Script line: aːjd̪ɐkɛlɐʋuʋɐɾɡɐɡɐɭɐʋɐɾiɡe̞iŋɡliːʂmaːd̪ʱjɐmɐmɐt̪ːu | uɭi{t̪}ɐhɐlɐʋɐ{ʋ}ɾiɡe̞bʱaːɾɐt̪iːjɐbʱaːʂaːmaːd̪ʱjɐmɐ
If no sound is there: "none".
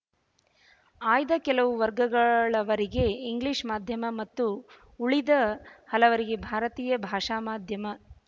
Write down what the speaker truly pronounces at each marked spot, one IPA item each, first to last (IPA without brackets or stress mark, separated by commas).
d̪, none